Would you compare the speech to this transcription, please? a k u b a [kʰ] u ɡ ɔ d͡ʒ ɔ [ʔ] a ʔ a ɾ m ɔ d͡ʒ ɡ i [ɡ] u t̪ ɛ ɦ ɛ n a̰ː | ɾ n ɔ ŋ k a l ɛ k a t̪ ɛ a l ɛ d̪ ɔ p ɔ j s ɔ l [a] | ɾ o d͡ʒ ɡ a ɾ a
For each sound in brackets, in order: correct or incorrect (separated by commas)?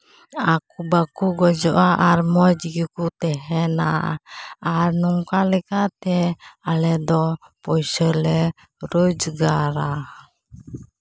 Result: incorrect, correct, incorrect, incorrect